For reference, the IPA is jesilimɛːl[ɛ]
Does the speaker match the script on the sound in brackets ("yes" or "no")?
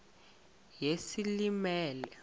yes